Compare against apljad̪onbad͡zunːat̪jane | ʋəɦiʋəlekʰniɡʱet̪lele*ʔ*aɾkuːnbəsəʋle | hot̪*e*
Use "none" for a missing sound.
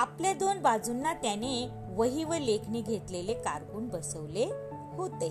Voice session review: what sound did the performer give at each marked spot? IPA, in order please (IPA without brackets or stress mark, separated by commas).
k, e